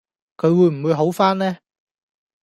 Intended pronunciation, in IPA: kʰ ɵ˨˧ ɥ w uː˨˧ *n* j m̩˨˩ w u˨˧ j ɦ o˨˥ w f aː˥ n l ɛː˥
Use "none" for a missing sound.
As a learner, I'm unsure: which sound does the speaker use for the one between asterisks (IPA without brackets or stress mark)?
none